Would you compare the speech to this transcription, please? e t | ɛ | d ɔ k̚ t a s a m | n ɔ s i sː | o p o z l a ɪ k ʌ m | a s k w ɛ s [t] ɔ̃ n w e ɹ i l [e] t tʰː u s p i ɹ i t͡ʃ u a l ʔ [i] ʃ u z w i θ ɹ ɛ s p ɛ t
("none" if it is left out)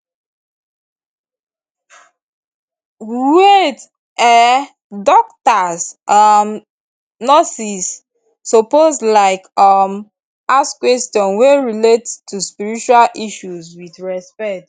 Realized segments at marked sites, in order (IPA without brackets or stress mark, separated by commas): t, e, i